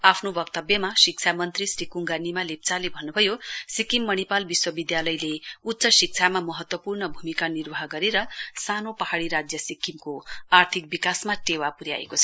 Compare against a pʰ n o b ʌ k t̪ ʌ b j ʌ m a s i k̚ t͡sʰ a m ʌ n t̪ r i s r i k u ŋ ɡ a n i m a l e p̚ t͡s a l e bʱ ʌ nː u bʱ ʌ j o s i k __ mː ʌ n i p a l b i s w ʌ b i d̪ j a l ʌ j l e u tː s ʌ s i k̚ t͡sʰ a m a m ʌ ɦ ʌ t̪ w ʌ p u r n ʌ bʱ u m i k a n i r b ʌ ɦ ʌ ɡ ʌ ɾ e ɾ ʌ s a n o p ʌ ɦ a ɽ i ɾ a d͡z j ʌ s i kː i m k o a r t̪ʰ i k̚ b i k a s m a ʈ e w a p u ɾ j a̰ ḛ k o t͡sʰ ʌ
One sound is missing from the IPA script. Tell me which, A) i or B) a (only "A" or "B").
A